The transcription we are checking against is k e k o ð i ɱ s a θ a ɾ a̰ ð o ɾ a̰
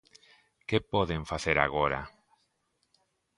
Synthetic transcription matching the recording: k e p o ð e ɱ f a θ e ɾ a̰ ɣ o ɾ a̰